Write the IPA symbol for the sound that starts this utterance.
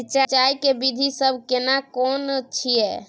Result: t͡ʃ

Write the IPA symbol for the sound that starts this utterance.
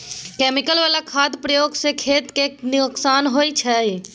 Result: k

